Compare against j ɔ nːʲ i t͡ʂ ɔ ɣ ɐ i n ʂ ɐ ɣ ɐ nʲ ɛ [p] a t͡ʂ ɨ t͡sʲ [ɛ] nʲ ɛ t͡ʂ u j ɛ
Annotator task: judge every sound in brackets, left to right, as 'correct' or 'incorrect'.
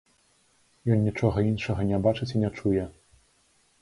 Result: incorrect: b, incorrect: i

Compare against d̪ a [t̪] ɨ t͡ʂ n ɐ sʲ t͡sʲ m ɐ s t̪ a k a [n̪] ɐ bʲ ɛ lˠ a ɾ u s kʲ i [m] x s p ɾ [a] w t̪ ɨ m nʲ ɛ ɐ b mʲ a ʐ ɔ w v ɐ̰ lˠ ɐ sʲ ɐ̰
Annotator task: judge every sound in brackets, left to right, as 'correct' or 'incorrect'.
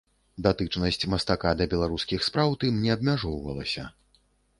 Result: correct, incorrect: d̪, incorrect: none, correct

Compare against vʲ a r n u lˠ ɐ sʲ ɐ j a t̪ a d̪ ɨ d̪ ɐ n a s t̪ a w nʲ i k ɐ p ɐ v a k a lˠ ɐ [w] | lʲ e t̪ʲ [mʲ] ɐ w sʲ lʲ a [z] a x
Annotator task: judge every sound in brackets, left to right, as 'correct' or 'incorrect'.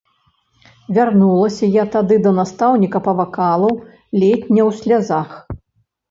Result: correct, incorrect: nʲ, correct

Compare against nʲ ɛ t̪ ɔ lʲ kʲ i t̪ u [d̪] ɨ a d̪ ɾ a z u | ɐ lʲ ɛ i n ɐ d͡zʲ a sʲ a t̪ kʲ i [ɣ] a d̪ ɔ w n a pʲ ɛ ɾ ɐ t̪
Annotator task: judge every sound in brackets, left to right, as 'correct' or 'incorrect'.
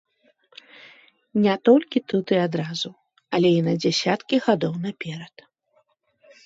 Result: incorrect: t̪, correct

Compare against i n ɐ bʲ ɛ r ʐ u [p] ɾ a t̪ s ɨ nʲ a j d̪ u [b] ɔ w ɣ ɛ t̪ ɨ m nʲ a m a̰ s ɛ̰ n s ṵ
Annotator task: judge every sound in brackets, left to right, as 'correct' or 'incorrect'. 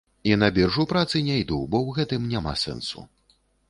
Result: correct, correct

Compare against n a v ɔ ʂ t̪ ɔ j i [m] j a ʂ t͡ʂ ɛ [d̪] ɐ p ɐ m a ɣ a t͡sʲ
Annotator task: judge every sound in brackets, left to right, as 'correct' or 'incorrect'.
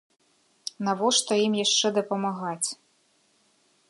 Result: correct, correct

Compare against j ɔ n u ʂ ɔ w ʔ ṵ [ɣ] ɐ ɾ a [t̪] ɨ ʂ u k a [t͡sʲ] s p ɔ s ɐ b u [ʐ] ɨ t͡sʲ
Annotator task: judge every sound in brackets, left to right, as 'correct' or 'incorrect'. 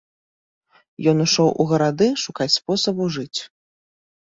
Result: correct, incorrect: d̪, correct, correct

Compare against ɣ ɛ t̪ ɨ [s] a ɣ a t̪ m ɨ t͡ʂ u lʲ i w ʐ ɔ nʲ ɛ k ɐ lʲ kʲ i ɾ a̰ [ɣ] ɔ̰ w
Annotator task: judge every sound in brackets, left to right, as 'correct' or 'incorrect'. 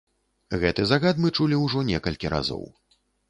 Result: incorrect: z, incorrect: z

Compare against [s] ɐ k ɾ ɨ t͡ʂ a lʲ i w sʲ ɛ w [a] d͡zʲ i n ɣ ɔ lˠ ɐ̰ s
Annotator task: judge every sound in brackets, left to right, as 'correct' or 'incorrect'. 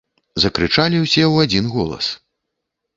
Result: incorrect: z, correct

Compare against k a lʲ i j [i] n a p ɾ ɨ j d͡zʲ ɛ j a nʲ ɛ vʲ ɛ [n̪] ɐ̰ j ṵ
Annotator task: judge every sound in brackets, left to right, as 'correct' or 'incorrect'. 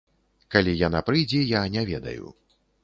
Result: incorrect: a, incorrect: d̪

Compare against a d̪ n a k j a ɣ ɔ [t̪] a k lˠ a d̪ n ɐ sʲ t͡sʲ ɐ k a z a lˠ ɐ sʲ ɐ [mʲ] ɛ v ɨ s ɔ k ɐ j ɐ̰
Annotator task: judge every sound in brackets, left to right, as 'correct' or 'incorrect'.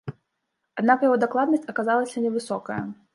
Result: incorrect: d̪, incorrect: nʲ

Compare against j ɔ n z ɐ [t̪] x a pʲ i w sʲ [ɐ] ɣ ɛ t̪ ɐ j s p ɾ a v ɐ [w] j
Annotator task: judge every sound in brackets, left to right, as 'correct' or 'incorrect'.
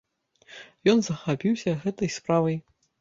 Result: incorrect: none, correct, incorrect: none

